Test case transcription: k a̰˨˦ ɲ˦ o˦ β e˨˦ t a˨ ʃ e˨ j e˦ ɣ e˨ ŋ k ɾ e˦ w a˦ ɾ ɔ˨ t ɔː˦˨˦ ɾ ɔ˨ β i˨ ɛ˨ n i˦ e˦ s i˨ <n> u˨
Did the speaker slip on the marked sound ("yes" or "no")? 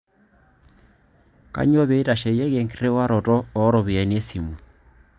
yes